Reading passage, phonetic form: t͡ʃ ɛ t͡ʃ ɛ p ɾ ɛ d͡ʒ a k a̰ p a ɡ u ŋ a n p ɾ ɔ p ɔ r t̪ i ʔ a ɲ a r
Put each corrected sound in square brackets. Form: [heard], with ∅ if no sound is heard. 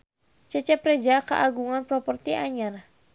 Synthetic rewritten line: t͡ʃ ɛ t͡ʃ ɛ p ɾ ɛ d͡ʒ a k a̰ [ʔ] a ɡ u ŋ a n p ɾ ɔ p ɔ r t̪ i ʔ a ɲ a r